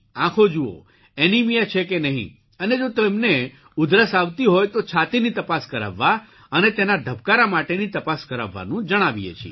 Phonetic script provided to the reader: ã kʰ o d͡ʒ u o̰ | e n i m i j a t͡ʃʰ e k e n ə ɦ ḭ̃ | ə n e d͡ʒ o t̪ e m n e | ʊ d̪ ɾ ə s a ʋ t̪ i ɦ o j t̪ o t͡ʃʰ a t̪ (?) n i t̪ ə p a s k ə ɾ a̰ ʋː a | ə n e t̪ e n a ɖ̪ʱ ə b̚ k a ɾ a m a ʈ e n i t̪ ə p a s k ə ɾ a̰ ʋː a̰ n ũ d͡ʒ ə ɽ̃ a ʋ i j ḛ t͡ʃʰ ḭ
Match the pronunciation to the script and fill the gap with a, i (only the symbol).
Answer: i